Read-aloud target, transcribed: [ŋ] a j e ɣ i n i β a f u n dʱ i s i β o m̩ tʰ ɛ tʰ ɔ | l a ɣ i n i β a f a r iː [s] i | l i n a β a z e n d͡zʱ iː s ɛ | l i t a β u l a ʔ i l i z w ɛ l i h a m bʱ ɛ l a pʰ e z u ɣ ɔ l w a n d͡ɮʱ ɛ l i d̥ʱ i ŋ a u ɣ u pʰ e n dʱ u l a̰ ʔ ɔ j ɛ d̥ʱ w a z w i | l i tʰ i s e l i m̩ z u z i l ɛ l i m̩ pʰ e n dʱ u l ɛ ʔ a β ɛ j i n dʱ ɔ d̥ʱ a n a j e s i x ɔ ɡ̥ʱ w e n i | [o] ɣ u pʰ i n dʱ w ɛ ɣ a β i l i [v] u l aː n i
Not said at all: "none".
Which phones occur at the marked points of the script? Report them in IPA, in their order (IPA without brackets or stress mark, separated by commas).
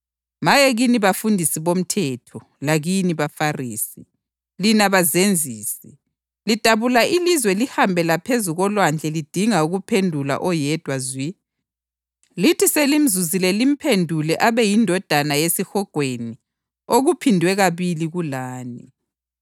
m, s, o, ɣ